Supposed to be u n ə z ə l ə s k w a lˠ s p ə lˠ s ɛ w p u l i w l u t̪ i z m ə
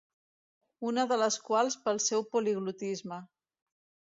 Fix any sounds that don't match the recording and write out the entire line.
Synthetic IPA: u n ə ð ə l ə s k w a lˠ s p ə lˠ s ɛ w p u l i ɣ l u t̪ i z m ə